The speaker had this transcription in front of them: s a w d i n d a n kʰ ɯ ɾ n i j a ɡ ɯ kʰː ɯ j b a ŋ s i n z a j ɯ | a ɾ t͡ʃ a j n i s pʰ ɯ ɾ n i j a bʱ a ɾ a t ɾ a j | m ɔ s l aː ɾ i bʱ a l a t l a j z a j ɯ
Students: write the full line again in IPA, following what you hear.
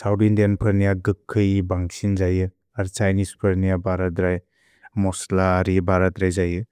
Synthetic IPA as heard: s a w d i n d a n pʰ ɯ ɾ n i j a ɡ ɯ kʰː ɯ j b a ŋ s i n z a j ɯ | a ɾ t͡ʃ a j n i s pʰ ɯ ɾ n i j a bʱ a ɾ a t ɾ a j | m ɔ s l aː ɾ i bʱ a ɾ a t ɾ a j z a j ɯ